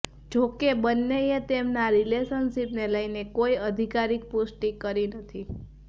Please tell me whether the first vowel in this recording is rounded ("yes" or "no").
yes